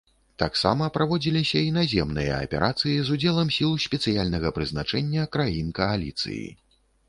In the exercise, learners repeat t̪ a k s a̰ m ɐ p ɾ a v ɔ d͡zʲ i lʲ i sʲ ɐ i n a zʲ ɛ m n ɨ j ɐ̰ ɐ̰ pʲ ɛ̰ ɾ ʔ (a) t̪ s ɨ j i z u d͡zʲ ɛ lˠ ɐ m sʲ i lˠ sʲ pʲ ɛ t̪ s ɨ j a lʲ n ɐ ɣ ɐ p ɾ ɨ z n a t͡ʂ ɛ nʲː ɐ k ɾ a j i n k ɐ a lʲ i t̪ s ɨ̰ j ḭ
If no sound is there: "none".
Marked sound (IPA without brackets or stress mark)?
a